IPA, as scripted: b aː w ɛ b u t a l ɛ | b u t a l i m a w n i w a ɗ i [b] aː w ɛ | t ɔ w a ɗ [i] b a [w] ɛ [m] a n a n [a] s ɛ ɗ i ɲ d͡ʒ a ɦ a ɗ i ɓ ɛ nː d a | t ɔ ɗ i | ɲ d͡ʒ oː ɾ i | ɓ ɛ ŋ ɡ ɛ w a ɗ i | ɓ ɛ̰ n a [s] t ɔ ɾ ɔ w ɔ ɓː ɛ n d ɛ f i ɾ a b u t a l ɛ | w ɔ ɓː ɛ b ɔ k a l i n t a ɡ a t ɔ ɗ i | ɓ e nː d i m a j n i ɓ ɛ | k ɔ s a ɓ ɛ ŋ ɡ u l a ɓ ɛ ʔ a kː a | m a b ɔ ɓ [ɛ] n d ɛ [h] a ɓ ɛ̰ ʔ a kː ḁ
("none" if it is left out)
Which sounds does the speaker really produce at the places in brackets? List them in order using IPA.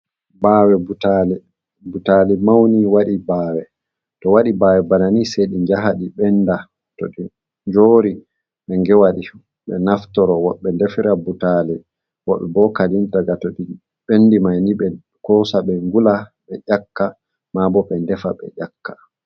b, i, w, b, i, f, ɛ, f

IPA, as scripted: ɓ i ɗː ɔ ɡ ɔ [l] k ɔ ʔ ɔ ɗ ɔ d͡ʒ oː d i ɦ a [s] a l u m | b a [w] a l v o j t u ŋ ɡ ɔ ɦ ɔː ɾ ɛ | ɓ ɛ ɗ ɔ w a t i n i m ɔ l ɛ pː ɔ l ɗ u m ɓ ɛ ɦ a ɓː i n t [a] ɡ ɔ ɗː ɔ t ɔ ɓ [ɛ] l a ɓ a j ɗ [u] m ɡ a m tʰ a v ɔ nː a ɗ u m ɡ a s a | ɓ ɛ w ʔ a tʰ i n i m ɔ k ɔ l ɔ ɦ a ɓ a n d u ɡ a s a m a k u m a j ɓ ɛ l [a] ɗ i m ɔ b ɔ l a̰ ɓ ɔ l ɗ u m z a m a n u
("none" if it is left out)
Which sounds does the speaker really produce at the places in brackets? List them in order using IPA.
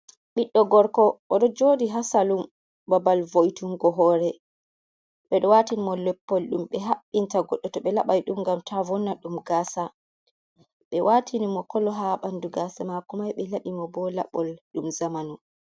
ɾ, s, b, a, ɛ, u, a

